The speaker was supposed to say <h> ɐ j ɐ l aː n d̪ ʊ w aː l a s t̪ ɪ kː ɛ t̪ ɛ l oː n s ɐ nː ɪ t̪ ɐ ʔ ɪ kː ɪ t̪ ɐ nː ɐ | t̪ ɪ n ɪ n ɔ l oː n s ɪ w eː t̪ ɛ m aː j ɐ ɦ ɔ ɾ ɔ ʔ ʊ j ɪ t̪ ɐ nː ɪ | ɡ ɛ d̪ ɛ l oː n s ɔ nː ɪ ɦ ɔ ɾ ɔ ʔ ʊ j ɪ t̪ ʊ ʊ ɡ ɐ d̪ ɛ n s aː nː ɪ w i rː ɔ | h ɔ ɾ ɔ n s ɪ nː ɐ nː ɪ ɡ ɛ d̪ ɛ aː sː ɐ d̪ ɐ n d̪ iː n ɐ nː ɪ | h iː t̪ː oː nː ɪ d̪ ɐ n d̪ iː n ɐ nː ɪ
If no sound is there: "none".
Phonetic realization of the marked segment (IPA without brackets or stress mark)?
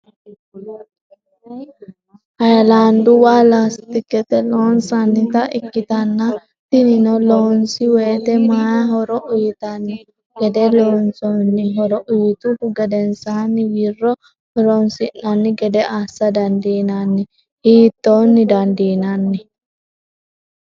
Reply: h